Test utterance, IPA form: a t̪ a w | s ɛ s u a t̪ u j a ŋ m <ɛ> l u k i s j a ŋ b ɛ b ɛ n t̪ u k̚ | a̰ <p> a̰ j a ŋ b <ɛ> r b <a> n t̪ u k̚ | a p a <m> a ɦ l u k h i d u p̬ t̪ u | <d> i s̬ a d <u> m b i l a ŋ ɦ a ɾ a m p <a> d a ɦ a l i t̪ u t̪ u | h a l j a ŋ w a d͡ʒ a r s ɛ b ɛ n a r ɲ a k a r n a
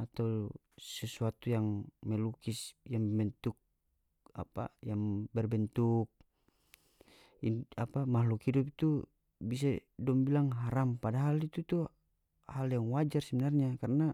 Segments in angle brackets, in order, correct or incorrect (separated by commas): correct, correct, correct, incorrect, correct, incorrect, incorrect, correct